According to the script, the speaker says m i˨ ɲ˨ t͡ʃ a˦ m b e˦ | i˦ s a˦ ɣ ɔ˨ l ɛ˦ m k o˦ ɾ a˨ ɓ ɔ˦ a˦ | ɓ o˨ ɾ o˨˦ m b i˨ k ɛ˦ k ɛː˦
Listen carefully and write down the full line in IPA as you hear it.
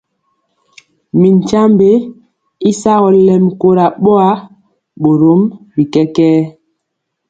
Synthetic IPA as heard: m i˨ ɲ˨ t͡ʃ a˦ m b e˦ | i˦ s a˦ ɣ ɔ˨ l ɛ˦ m k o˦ ɾ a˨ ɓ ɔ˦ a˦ | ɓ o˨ ɾ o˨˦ m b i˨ k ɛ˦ k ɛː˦